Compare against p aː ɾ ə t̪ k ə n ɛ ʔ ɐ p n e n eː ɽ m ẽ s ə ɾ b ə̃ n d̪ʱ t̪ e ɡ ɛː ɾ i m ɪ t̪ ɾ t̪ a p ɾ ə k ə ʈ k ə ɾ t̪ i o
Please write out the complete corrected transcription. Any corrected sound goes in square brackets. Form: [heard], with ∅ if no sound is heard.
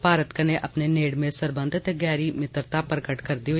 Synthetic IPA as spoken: p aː ɾ ə t̪ k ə n [e] ʔ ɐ p n e n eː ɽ m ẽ s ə ɾ b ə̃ n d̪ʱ t̪ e ɡ ɛː ɾ i m ɪ t̪ ɾ t̪ a p ɾ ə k ə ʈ k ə ɾ [d̪] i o